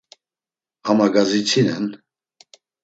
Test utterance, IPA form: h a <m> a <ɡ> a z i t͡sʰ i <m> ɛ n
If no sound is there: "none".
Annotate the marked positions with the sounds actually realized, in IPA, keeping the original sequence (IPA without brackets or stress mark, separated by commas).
m, ɡ, n